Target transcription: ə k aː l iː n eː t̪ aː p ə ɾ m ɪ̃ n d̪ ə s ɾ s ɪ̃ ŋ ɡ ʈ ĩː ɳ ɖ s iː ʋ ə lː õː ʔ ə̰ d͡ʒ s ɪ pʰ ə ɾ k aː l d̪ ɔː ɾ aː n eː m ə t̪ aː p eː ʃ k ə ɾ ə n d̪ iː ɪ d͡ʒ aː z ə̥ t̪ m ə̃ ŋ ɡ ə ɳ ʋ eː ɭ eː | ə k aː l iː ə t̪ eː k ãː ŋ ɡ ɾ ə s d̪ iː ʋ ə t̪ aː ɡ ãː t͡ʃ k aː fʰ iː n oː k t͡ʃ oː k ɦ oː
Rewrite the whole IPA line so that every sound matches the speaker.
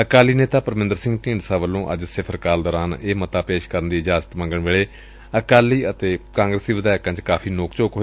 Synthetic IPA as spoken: ə k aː l iː n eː t̪ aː p ə ɾ m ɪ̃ n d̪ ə ɾ s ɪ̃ ŋ ɡ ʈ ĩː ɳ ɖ s aː ʋ ə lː õː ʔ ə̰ d͡ʒ s ɪ pʰ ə ɾ k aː l d̪ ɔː ɾ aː n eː m ə t̪ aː p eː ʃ k ə ɾ ə n d̪ iː ɪ d͡ʒ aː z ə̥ t̪ m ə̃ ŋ ɡ ə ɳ ʋ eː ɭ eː | ə k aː l iː ə t̪ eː k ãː ŋ ɡ ɾ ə s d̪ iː ʋ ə d̪ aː k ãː t͡ʃ k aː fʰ iː n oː k t͡ʃ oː k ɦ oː